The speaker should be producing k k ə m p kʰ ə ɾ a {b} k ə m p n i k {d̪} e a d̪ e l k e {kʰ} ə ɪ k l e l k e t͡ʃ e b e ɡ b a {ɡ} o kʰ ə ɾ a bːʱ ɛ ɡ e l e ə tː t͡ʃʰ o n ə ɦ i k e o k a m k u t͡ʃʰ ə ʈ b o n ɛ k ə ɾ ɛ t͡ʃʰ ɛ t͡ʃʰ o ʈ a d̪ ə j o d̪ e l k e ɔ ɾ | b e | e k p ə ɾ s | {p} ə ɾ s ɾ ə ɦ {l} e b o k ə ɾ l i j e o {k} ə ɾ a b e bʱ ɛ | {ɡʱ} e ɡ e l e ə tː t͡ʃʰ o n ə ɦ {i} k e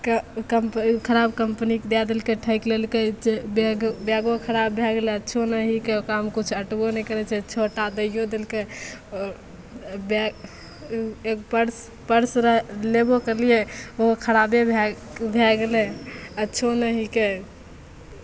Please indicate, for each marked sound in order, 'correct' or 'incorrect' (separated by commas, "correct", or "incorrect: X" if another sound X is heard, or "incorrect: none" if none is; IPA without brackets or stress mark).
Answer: correct, correct, incorrect: ʈʰ, correct, correct, correct, incorrect: kʰ, incorrect: bʱ, correct